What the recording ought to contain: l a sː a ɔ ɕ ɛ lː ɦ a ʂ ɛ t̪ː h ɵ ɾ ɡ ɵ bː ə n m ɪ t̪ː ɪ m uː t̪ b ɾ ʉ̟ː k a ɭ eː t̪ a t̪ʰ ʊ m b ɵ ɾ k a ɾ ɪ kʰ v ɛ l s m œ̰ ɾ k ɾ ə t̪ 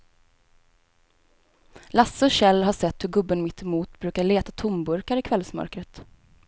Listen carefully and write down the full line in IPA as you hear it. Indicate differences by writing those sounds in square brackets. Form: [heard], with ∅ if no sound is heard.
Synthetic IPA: l a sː [ə] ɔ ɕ ɛ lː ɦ a ʂ ɛ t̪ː h ɵ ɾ ɡ ɵ bː ə n m ɪ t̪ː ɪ m uː t̪ b ɾ ʉ̟ː k a ɭ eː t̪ a t̪ʰ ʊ m b ɵ ɾ k a ɾ ɪ kʰ v ɛ l s m œ̰ ɾ k ɾ ə t̪